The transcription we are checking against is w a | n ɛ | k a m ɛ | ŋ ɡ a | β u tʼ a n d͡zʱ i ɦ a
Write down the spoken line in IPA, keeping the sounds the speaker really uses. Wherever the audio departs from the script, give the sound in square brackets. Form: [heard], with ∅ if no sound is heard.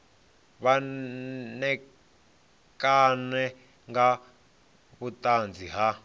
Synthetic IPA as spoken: [β] a | n ɛ | k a [n] ɛ | ŋ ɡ a | β u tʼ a n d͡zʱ i ɦ a